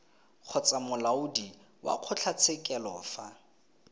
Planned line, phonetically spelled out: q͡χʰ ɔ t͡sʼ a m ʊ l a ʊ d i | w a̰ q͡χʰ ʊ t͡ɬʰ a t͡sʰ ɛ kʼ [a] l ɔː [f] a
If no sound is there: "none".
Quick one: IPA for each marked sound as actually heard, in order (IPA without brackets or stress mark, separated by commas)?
ɛ, f